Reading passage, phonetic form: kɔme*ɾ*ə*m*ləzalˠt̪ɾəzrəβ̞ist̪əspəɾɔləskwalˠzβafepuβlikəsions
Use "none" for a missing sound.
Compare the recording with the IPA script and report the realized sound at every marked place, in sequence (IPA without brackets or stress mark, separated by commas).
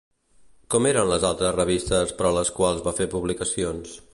ɾ, n